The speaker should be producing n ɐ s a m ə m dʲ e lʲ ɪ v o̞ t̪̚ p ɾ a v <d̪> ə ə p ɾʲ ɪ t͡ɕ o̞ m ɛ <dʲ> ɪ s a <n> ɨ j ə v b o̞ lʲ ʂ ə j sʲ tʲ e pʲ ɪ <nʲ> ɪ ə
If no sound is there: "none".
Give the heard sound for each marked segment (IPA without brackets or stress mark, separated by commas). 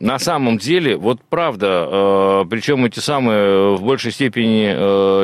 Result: d̪, tʲ, m, nʲ